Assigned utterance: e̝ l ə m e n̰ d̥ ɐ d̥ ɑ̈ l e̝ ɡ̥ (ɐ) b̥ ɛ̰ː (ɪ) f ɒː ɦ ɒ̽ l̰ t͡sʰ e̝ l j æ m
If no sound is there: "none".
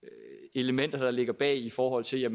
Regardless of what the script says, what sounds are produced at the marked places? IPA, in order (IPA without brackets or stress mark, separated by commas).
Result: ɐ, i